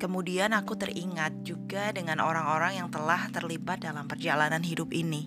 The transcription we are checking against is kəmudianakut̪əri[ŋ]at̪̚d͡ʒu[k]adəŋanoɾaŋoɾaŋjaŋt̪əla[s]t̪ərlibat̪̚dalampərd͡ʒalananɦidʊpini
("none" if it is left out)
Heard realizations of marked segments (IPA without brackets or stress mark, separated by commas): ŋ, ɡ, h